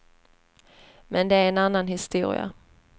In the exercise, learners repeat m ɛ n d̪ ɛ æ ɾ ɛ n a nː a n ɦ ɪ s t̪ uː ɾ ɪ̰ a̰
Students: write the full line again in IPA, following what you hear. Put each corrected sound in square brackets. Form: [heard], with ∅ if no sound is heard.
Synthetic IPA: m ɛ n d̪ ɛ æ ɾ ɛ n a nː a n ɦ ɪ s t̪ uː ɾ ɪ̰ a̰